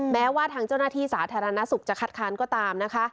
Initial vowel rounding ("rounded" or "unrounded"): unrounded